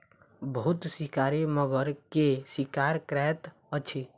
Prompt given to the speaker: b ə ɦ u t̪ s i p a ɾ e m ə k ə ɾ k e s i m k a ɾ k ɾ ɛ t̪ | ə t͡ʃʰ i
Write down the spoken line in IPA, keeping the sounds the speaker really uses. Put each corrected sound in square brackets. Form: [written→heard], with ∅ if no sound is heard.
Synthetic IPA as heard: b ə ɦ u t̪ s i [p→k] a ɾ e m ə [k→ɡ] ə ɾ k e s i [m→∅] k a ɾ k ɾ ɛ t̪ | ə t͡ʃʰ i